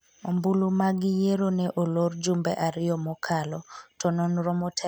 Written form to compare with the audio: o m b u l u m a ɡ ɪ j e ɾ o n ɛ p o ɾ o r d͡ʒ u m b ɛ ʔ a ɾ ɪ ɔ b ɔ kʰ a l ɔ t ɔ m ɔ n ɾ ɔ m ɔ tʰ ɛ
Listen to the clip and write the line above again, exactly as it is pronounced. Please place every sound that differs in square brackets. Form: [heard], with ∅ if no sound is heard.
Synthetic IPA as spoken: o m b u l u m a ɡ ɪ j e ɾ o n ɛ [ʔ] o [l] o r d͡ʒ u m b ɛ ʔ a ɾ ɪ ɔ [m] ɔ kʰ a l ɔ t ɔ [n] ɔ n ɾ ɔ m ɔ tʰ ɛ